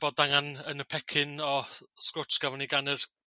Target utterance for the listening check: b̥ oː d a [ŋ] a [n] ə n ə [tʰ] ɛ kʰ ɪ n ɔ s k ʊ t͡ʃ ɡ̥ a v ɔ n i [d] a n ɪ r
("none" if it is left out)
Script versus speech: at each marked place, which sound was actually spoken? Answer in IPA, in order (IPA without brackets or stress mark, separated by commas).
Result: ŋ, n, pʰ, ɡ